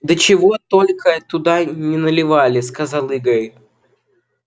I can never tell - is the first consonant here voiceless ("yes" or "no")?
no